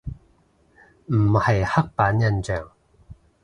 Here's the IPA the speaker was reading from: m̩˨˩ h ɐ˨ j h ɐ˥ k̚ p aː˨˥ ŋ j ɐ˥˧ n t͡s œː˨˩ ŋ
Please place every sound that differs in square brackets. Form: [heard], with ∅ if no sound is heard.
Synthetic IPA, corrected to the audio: m̩˨˩ h ɐ˨ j h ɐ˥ k̚ p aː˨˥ [n] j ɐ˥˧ n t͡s œː˨˩ ŋ

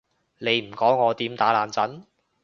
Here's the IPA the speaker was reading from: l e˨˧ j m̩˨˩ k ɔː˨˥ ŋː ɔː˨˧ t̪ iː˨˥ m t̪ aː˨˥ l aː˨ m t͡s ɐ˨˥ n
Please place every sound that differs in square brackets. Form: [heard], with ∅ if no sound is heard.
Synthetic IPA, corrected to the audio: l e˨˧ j m̩˨˩ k ɔː˨˥ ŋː ɔː˨˧ t̪ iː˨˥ m t̪ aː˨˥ l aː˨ [n] t͡s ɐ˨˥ n

